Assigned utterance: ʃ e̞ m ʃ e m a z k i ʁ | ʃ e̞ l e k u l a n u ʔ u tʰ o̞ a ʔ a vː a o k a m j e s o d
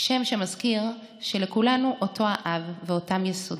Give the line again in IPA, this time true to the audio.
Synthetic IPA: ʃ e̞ m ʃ e m a z k i ʁ | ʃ e̞ l e k u l a n u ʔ o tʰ o̞ a ʔ a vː e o t a m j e s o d